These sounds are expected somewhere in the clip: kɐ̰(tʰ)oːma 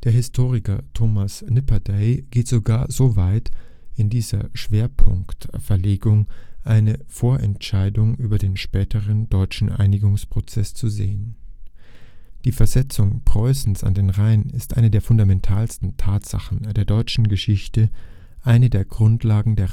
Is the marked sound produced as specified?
yes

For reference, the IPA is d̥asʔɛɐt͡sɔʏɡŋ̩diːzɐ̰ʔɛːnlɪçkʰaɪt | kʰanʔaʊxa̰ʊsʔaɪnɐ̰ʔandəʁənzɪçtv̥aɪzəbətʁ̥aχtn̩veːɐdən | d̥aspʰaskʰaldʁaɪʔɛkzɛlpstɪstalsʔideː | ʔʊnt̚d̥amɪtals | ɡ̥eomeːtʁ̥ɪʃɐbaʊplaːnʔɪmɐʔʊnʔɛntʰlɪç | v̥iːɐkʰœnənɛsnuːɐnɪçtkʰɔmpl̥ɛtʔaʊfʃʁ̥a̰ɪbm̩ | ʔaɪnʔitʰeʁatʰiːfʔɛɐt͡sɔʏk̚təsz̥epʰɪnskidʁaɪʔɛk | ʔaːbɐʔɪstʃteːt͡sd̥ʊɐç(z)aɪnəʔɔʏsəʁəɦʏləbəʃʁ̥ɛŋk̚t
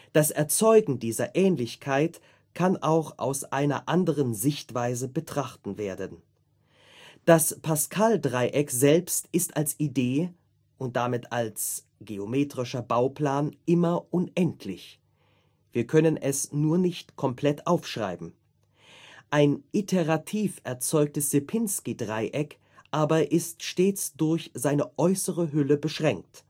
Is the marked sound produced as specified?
yes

